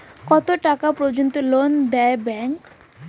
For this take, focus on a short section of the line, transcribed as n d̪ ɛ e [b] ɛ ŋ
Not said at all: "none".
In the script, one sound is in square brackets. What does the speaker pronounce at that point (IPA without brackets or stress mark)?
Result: b